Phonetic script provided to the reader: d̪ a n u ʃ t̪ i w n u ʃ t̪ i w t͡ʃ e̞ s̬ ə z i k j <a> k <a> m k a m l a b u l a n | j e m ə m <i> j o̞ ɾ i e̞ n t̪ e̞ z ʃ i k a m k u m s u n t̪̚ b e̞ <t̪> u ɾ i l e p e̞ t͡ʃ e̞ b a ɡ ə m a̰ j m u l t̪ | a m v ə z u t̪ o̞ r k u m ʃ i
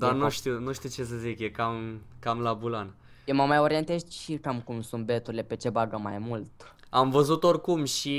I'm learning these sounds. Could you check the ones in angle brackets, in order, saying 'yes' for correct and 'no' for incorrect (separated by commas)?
no, yes, no, yes